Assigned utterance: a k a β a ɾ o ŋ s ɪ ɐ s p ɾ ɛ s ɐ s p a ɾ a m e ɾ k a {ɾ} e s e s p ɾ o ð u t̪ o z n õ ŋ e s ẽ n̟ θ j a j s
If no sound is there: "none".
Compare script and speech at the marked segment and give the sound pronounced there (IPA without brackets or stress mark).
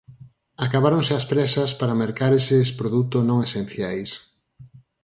ɾ